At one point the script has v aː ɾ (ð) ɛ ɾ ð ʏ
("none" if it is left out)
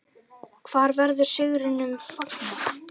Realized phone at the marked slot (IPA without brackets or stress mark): v